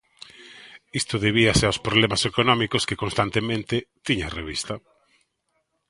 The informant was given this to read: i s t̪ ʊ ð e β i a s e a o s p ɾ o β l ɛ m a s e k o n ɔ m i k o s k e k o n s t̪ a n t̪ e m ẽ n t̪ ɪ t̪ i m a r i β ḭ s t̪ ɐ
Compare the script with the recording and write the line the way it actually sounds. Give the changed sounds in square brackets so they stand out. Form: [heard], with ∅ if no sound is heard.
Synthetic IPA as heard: i s t̪ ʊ ð e β i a s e a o s p ɾ o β l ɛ m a s e k o n ɔ m i k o s k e k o n s t̪ a n t̪ e m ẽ n t̪ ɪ t̪ i [ɲ] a r [e] β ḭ s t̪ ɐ

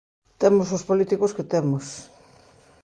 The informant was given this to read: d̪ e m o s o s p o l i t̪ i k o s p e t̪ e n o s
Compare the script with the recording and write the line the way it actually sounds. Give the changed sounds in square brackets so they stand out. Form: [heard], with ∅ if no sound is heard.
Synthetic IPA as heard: [t̪] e m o s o s p o l i t̪ i k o s [k] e t̪ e [m] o s

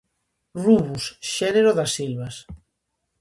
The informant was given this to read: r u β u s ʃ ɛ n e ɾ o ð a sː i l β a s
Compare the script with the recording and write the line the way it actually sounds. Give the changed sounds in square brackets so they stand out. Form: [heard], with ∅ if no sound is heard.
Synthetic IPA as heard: r u β u s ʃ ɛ n e ɾ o ð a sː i l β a s

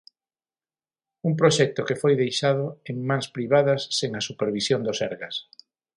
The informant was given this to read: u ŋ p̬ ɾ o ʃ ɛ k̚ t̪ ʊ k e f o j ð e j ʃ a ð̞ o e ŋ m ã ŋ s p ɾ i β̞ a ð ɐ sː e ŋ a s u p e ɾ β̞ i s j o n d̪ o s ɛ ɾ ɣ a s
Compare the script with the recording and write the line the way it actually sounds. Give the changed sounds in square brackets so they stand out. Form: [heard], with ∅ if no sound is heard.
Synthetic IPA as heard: u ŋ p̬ ɾ o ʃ ɛ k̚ t̪ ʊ k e f o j ð e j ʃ a ð̞ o e ŋ m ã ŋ s p ɾ i β̞ a ð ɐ sː e ŋ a s u p e ɾ β̞ i s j o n d̪ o s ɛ ɾ ɣ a s

